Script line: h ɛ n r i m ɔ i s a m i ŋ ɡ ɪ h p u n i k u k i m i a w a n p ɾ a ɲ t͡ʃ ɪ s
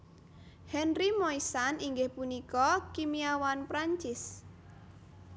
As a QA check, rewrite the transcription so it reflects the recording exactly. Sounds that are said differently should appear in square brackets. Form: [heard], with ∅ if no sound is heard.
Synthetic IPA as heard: h ɛ n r i m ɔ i s a [n] i ŋ ɡ ɪ h p u n i k [ɔ] k i m i a w a n p ɾ a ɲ t͡ʃ ɪ s